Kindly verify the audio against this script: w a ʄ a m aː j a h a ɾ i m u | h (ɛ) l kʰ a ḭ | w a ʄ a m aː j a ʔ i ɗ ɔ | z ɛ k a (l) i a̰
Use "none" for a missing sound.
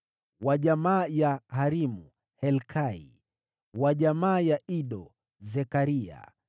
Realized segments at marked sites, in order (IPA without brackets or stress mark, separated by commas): ɛ, ɾ